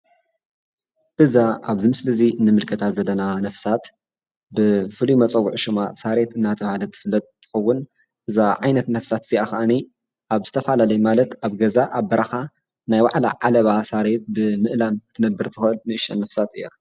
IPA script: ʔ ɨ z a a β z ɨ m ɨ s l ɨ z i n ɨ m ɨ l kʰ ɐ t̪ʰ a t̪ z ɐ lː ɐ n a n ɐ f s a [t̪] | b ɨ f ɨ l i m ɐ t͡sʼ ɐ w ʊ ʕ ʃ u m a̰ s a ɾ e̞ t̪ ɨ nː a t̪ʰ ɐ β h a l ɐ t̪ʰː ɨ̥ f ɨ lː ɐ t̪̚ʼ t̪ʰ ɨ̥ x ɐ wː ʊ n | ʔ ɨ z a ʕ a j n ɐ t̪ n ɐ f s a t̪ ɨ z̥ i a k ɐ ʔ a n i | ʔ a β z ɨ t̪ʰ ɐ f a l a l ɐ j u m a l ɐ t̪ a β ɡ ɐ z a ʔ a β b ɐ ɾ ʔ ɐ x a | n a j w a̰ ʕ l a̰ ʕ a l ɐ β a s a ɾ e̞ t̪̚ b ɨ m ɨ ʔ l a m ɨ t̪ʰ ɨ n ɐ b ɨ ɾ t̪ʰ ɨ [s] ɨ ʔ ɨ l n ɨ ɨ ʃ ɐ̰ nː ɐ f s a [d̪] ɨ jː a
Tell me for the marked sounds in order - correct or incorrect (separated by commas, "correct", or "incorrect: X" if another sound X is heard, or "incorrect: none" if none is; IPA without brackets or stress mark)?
correct, incorrect: x, incorrect: t̪